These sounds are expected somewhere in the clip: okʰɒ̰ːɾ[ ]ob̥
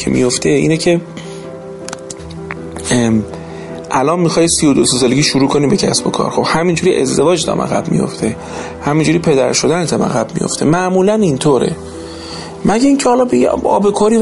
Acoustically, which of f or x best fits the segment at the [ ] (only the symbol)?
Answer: x